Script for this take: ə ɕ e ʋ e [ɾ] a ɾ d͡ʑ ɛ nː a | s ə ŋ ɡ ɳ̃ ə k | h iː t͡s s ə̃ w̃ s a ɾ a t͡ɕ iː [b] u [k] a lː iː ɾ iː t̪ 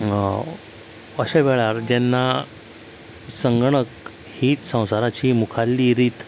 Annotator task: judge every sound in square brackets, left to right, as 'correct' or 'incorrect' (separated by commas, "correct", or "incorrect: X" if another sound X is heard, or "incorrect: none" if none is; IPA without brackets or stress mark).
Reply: incorrect: ɭ, incorrect: m, incorrect: kʰ